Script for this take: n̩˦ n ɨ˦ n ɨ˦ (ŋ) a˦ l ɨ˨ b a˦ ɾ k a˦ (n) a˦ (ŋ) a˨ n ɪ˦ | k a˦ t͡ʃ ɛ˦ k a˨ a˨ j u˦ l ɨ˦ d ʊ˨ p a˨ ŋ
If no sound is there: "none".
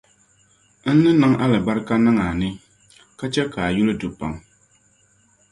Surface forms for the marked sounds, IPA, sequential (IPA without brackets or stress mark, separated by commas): ŋ, n, ŋ